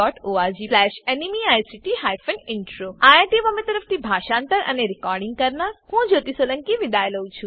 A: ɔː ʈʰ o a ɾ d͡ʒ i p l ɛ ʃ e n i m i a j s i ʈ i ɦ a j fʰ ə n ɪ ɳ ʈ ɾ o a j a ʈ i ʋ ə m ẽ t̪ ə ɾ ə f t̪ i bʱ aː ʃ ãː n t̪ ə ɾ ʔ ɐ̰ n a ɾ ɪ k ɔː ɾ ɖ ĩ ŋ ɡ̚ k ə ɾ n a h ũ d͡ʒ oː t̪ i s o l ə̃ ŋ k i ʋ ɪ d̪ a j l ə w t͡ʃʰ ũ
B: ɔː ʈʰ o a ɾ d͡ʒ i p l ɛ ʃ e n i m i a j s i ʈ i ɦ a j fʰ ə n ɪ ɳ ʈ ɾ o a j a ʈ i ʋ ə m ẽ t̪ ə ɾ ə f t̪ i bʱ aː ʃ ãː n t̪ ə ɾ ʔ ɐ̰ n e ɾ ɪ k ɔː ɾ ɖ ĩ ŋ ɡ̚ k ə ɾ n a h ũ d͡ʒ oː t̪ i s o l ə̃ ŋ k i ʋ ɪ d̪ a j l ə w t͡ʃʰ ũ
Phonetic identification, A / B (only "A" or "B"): B